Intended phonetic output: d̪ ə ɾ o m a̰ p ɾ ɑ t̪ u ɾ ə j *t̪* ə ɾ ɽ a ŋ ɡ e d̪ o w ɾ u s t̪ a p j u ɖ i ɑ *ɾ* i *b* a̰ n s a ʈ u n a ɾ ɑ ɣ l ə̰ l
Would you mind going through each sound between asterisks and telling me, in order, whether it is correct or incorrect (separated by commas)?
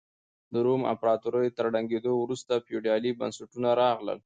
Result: correct, incorrect, correct